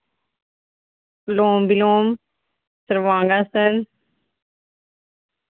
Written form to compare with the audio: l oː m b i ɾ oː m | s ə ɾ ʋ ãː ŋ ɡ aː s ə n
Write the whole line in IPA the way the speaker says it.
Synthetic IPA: l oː m b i l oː m | s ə ɾ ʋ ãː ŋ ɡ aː s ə n